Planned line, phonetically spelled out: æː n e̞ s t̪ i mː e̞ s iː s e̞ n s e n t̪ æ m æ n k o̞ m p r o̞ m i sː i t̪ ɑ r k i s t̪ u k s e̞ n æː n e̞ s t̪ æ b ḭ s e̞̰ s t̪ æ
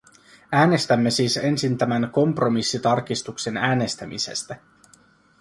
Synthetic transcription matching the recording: æː n e̞ s t̪ æ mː e̞ s iː s e̞ n s i n t̪ æ m æ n k o̞ m p r o̞ m i sː i t̪ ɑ r k i s t̪ u k s e̞ n æː n e̞ s t̪ æ m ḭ s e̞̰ s t̪ æ